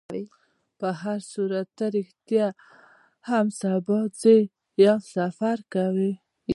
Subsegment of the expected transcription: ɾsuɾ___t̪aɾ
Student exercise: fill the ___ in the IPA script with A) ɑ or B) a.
B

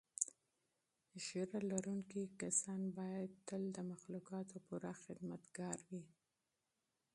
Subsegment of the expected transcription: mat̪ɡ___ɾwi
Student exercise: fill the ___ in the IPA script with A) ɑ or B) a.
A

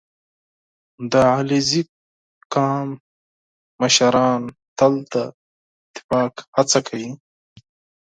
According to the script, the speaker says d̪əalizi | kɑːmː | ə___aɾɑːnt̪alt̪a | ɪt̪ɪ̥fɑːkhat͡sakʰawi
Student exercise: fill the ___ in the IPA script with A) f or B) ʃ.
B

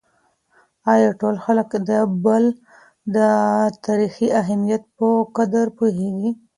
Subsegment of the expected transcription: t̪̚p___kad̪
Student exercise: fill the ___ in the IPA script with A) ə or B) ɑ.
A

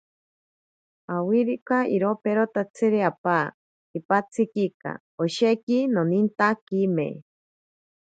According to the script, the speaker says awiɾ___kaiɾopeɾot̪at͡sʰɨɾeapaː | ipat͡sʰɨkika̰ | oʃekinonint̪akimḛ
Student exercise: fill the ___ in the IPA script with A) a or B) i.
B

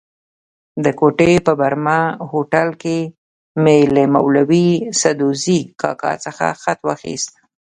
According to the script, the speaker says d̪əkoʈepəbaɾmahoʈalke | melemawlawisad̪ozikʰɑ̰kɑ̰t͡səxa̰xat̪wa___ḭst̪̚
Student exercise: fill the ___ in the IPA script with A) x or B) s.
A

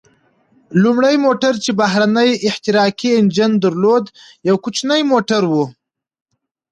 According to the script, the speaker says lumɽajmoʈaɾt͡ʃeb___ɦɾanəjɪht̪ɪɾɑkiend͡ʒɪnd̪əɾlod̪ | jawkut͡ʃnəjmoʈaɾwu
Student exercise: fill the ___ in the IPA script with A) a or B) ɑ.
A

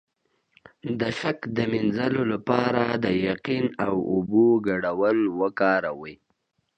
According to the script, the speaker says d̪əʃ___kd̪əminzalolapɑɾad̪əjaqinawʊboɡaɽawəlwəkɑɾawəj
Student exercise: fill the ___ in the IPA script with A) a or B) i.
A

